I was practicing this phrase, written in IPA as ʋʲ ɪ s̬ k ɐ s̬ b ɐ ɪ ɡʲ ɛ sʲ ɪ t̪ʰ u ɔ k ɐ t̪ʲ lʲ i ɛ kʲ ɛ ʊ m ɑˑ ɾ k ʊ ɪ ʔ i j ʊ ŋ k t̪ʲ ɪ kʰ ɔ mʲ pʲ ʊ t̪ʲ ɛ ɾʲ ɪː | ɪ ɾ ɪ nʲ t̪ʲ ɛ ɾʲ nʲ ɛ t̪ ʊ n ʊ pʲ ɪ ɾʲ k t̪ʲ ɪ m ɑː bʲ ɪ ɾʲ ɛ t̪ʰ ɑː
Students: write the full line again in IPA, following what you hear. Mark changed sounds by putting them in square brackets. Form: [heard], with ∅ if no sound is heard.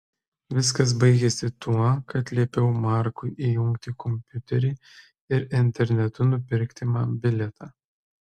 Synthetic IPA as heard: ʋʲ ɪ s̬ k ɐ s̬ b ɐ ɪ ɡʲ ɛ sʲ ɪ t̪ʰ u ɔ k ɐ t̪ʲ lʲ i ɛ [pʲ] ɛ ʊ m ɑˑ ɾ k ʊ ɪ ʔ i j ʊ ŋ k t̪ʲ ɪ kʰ ɔ mʲ pʲ ʊ t̪ʲ ɛ ɾʲ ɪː | ɪ ɾ ɪ nʲ t̪ʲ ɛ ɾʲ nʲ ɛ t̪ ʊ n ʊ pʲ ɪ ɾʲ k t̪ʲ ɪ m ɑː bʲ ɪ [lʲ] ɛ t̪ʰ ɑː